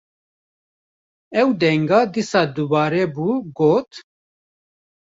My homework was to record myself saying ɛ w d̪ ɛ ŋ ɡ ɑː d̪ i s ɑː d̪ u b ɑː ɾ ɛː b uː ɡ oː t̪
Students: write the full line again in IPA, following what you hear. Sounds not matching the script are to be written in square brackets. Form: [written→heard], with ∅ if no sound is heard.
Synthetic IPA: ɛ w d̪ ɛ ŋ ɡ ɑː d̪ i s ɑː d̪ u b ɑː ɾ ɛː b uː ɡ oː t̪